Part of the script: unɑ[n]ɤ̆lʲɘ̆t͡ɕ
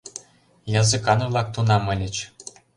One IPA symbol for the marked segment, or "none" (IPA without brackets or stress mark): m